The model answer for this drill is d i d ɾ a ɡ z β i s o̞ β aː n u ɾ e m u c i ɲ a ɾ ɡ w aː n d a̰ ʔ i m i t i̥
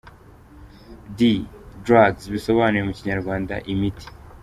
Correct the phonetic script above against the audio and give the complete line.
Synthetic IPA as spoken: d i d ɾ a ɡ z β i s o̞ β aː n u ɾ e m u c i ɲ a ɾ ɡ w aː n d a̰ ʔ i m i t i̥